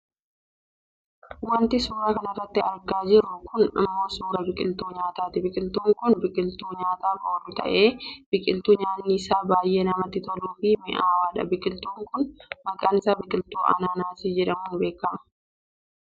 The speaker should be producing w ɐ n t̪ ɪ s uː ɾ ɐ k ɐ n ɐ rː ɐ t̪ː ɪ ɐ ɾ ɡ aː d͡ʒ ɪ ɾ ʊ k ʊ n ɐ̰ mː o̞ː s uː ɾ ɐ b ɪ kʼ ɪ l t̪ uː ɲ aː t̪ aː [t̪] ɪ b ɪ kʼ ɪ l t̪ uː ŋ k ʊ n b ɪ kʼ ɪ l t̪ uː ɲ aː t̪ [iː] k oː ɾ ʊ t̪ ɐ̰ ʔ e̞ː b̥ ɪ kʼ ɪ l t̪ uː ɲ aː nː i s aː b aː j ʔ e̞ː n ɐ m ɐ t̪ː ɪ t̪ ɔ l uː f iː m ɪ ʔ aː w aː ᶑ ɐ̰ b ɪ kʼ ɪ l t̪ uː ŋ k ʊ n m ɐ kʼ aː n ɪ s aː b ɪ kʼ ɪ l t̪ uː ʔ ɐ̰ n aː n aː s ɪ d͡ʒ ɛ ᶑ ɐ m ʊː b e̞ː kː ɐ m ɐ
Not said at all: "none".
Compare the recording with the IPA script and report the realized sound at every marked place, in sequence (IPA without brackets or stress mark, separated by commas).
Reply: t̪, aː